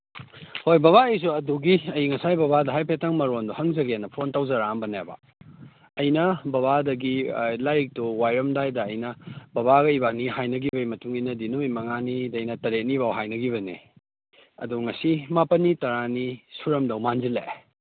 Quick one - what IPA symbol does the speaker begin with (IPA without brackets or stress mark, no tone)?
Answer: h